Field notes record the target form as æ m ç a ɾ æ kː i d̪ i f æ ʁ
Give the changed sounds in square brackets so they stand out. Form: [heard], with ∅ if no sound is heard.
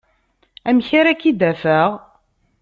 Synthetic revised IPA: æ m ç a ɾ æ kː i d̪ [æ] f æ ʁ